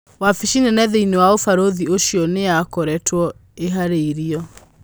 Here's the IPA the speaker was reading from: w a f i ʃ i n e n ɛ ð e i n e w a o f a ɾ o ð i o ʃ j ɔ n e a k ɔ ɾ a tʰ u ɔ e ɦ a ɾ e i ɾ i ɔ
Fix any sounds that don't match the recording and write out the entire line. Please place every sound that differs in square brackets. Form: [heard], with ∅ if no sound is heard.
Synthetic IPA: w a f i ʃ i n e n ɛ ð e i n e w a o f a ɾ o ð i o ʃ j ɔ n e a k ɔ ɾ [ɛ] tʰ [w] ɔ e ɦ a ɾ e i ɾ i ɔ